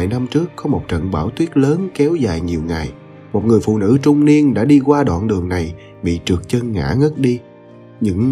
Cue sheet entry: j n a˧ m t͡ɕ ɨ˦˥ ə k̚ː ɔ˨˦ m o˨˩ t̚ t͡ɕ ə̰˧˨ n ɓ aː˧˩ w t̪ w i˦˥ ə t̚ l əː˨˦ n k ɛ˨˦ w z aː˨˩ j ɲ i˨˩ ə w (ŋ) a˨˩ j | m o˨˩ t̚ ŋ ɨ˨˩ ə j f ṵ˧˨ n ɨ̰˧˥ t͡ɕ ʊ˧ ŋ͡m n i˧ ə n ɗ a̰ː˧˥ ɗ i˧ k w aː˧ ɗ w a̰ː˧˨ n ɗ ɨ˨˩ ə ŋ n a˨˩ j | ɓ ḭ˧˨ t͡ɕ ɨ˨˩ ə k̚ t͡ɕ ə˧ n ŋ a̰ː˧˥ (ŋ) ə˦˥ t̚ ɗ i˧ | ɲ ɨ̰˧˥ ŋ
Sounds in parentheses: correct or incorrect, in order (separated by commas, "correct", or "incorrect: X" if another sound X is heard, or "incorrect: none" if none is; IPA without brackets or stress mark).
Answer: correct, correct